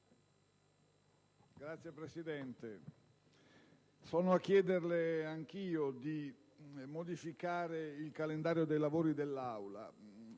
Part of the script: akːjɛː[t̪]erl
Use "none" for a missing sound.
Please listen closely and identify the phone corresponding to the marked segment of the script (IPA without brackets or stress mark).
d̪